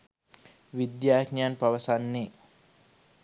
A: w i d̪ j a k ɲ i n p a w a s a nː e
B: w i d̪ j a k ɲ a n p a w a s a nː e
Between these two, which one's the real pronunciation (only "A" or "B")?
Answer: B